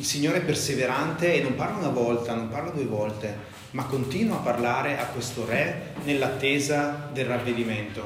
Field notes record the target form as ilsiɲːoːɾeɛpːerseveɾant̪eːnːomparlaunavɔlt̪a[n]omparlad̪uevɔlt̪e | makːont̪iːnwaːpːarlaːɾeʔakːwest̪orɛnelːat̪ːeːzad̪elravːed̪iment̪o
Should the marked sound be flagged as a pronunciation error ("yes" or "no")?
no